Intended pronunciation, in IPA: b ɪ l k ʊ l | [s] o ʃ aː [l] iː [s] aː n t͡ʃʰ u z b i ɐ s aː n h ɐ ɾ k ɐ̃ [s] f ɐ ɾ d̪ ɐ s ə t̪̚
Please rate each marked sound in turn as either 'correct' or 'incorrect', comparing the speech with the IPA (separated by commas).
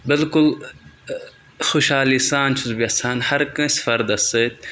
incorrect, correct, correct, correct